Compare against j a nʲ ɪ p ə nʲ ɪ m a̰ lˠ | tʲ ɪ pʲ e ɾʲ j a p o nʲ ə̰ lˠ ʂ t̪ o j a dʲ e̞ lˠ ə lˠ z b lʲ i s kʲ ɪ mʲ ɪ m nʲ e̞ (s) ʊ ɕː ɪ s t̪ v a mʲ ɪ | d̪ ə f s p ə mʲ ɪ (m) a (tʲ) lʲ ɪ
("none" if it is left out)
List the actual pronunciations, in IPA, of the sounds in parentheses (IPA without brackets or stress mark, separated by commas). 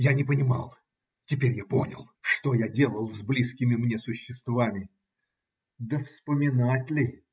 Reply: s, n, tʲ